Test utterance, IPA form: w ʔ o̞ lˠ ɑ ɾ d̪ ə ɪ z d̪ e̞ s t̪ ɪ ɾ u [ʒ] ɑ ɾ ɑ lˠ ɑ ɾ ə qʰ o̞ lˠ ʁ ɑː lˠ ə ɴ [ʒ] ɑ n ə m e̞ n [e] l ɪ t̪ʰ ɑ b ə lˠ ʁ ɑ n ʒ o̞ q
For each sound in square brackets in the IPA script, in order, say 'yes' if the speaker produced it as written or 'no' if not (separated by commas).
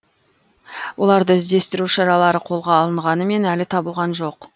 no, no, no